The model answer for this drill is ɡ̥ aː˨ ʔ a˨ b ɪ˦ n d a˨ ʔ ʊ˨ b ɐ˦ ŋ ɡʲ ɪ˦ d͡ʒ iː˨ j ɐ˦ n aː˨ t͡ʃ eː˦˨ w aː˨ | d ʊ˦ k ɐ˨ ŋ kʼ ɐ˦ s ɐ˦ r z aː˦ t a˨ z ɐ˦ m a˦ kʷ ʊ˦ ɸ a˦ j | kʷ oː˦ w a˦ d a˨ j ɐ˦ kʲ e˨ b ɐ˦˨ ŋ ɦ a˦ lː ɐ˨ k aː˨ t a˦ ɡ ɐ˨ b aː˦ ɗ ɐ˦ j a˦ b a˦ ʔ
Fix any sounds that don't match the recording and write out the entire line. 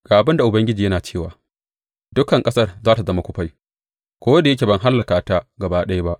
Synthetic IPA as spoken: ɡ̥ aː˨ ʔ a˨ b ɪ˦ n d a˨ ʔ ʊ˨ b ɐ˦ ŋ ɡʲ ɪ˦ d͡ʒ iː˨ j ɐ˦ n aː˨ t͡ʃ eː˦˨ w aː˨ | d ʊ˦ k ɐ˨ ŋ kʼ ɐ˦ s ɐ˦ r z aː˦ t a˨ z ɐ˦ m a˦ kʷ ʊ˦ ɸ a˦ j | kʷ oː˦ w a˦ d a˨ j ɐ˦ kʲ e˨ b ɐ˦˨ ŋ ɦ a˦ lː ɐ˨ k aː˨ t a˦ ɡ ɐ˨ b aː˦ ɗ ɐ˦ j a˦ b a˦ ʔ